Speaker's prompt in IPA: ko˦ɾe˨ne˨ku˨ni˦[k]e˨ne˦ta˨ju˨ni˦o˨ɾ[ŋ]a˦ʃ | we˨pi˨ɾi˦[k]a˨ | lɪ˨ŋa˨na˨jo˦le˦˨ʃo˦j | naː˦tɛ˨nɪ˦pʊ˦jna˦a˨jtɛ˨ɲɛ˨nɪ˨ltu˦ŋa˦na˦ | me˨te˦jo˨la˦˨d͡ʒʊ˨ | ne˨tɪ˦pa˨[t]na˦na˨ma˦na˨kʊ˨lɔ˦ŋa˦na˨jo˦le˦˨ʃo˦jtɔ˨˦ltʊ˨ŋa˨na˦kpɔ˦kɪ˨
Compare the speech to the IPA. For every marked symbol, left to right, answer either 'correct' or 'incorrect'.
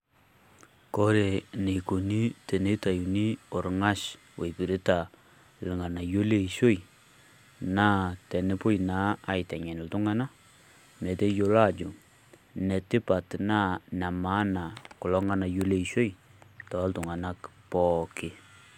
incorrect, correct, incorrect, correct

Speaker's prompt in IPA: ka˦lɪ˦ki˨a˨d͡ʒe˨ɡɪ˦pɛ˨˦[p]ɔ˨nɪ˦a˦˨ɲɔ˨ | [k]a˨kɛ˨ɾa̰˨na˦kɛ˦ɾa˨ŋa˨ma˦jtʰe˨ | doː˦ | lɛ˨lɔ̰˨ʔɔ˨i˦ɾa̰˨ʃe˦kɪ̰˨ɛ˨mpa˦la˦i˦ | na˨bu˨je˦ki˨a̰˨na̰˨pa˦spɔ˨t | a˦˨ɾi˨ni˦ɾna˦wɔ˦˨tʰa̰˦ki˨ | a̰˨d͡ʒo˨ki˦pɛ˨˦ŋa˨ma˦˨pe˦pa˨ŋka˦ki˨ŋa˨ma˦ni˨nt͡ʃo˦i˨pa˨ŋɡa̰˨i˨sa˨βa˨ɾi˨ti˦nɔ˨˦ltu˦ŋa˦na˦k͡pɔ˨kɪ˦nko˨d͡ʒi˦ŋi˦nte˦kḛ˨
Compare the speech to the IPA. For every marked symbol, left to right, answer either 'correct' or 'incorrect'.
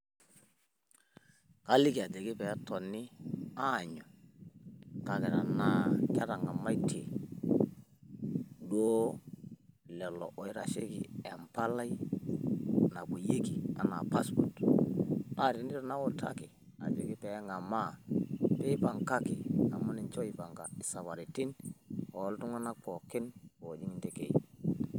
incorrect, correct

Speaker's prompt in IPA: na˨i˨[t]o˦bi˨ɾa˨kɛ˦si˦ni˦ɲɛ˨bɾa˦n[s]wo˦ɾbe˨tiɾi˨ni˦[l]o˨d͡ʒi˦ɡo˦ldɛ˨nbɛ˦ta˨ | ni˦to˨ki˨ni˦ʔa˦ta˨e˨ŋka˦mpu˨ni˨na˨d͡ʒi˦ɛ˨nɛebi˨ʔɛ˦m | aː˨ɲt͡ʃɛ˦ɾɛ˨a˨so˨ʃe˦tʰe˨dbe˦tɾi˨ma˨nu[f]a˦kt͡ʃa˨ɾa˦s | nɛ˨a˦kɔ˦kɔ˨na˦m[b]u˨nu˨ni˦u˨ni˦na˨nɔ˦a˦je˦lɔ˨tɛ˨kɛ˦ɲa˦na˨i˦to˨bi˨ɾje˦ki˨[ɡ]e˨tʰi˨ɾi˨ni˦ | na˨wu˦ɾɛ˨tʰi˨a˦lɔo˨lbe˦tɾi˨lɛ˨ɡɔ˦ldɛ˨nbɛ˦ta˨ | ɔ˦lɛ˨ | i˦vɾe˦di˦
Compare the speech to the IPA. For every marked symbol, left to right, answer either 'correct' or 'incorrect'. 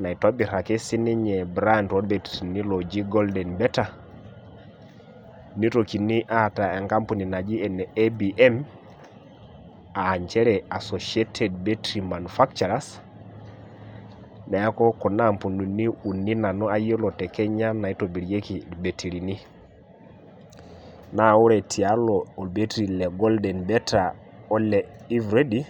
correct, incorrect, correct, correct, incorrect, incorrect

